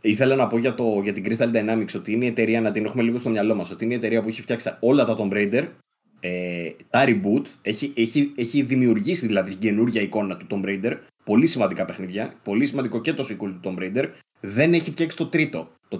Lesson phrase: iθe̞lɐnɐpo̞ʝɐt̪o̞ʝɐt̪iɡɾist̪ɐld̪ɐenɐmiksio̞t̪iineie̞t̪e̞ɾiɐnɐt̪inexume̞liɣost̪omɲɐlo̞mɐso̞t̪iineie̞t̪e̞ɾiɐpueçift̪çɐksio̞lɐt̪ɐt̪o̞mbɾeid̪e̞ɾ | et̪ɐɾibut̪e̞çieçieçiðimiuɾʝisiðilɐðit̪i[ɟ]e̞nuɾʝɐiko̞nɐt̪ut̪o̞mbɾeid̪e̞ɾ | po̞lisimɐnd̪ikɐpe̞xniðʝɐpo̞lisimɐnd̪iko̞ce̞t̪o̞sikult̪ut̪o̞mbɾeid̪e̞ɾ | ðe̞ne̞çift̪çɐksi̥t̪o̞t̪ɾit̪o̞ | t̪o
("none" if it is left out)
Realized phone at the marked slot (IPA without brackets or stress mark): ɟ